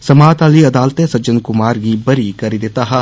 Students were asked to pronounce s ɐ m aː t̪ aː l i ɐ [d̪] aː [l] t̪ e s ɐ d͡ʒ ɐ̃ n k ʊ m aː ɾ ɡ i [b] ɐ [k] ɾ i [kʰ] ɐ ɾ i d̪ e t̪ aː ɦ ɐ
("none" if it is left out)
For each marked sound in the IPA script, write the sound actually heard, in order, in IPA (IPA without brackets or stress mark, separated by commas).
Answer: d̪, l, b, none, k